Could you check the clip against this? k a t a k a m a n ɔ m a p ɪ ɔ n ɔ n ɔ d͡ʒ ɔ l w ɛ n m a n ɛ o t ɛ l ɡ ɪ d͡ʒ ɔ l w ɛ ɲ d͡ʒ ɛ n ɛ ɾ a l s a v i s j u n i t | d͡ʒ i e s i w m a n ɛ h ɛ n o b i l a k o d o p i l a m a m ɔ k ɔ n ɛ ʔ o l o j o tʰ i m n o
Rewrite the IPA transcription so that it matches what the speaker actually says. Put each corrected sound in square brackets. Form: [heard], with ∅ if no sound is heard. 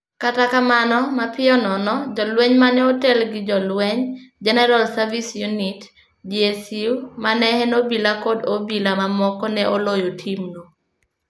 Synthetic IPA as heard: k a t a k a m a n ɔ m a p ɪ ɔ n ɔ n ɔ d͡ʒ ɔ l w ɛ [ɲ] m a n ɛ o t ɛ l ɡ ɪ d͡ʒ ɔ l w ɛ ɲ d͡ʒ ɛ n ɛ ɾ a l s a v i s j u n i t | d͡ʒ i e s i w m a n ɛ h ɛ n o b i l a k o d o [b] i l a m a m ɔ k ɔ n ɛ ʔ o l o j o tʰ i m n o